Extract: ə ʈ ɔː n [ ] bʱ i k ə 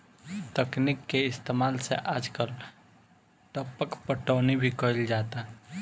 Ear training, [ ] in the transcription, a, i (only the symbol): i